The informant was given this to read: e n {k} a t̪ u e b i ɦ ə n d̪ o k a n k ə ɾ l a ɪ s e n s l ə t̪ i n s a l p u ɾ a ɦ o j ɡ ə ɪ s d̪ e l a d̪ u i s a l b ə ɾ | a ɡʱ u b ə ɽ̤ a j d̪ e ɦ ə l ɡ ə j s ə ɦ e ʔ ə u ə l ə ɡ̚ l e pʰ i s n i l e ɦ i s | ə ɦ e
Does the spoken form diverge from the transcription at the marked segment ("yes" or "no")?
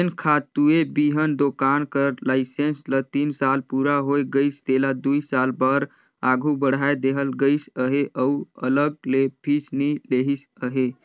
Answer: yes